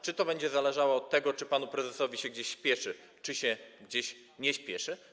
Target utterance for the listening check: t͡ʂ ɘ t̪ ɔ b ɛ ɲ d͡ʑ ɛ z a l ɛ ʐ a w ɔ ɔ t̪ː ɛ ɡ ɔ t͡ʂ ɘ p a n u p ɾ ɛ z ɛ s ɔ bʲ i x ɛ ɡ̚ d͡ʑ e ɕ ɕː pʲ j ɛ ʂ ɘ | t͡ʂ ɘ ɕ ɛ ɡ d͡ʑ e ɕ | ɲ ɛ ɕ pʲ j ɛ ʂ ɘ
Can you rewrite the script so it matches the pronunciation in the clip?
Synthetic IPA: t͡ʂ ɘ t̪ ɔ b ɛ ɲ d͡ʑ ɛ z a l ɛ ʐ a w ɔ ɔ t̪ː ɛ ɡ ɔ t͡ʂ ɘ p a n u p ɾ ɛ z ɛ s ɔ vʲ i ɕ ɛ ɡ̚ d͡ʑ e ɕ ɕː pʲ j ɛ ʂ ɘ | t͡ʂ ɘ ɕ ɛ ɡ d͡ʑ e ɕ | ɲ ɛ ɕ pʲ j ɛ ʂ ɘ